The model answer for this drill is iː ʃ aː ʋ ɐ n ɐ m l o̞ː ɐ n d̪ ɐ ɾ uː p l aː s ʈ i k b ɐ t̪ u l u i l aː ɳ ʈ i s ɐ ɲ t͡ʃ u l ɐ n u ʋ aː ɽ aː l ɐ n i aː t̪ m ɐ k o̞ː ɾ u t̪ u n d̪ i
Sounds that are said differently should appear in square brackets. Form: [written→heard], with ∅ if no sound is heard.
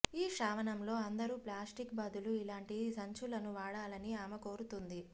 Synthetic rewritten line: iː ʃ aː ʋ ɐ n ɐ m l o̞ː ɐ n d̪ ɐ ɾ uː p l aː s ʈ i k b ɐ [t̪→d̪] u l u i l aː ɳ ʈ i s ɐ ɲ t͡ʃ u l ɐ n u ʋ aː ɽ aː l ɐ n i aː [t̪→∅] m ɐ k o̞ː ɾ u t̪ u n d̪ i